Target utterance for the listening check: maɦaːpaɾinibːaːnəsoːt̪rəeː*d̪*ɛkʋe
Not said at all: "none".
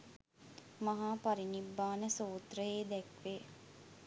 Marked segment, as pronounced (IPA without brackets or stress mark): d̪